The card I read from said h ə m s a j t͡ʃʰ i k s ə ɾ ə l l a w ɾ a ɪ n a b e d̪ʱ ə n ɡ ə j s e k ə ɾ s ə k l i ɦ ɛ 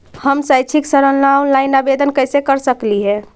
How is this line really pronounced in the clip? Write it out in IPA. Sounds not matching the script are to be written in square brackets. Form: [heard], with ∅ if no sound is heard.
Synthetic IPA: h ə m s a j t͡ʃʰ i k s ə ɾ ə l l a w [l] a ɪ n a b e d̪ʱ ə n [k] ə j s e k ə ɾ s ə k l i ɦ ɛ